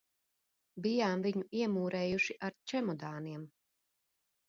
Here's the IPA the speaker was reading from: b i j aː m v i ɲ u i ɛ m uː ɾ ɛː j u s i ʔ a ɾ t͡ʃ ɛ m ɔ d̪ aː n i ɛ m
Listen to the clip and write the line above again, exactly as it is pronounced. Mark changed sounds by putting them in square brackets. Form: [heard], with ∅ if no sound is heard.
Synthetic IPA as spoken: b i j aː m v i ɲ u i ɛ m uː ɾ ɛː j u [ʃ] i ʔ a ɾ t͡ʃ ɛ m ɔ d̪ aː n i ɛ m